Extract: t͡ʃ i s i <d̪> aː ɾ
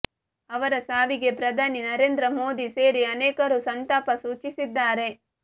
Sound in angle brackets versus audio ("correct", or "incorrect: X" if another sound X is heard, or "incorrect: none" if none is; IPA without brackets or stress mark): incorrect: d̪ː